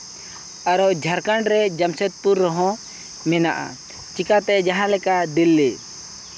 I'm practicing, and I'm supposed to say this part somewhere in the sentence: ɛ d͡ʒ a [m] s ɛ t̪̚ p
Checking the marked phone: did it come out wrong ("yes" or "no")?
no